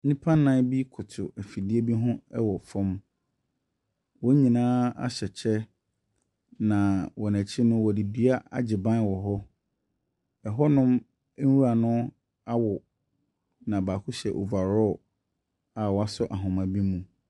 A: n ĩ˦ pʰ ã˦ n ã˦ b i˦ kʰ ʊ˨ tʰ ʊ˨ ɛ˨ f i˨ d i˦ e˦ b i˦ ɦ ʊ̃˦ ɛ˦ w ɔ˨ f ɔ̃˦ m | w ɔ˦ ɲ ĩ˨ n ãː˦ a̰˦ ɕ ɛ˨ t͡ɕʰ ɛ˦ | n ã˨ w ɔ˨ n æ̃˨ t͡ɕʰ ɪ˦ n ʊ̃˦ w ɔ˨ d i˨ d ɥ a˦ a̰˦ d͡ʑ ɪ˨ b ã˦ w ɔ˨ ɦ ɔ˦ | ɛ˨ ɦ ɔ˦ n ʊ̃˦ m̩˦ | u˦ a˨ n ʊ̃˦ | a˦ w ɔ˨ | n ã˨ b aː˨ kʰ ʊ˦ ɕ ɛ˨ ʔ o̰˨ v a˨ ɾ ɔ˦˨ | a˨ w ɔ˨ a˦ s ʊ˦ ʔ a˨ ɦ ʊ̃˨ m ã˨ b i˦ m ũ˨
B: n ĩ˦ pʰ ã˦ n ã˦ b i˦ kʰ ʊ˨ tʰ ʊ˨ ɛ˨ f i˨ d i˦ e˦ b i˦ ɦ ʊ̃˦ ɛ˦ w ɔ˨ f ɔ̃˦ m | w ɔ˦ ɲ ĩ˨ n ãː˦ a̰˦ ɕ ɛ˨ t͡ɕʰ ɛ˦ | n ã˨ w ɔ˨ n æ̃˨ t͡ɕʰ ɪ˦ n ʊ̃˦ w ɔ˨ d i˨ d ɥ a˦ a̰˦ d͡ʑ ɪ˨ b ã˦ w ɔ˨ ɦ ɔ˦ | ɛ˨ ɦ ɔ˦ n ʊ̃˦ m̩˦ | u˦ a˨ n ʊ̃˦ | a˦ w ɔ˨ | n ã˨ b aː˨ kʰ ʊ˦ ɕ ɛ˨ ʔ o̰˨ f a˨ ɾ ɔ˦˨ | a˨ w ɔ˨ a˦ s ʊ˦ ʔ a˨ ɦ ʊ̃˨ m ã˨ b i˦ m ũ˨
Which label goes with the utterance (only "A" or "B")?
A